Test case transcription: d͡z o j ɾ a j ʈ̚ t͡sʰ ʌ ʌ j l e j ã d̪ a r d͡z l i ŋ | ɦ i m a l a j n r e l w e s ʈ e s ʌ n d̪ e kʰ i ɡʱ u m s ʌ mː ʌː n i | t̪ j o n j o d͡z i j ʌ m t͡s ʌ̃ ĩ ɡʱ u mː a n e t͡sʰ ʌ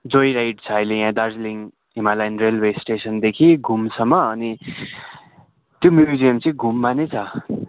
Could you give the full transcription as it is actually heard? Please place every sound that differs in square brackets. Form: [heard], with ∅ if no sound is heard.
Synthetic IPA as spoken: d͡z o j ɾ a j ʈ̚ t͡sʰ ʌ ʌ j l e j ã d̪ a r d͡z l i ŋ | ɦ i m a l a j n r e l w e s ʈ e s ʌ n d̪ e kʰ i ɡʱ u m s ʌ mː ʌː n i | t̪ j o [m] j [u] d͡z i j ʌ m t͡s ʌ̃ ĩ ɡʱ u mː a n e t͡sʰ ʌ